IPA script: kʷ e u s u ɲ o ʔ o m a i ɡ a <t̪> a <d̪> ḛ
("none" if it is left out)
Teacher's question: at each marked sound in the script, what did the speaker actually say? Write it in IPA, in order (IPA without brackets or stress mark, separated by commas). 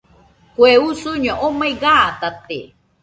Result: t̪, t̪